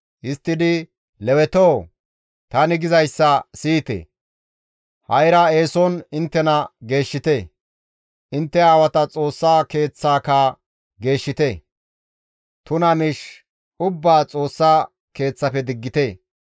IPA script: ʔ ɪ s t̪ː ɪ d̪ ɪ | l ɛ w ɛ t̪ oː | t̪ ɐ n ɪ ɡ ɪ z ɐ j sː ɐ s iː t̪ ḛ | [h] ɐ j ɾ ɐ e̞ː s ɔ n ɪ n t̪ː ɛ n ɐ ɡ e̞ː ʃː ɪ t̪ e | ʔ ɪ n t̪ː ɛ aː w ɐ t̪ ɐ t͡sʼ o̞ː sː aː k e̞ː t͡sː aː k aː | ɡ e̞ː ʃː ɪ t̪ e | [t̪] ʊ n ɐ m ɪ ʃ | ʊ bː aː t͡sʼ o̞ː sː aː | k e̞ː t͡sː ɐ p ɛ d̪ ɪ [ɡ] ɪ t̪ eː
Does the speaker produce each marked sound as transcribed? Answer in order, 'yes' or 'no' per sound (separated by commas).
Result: yes, yes, no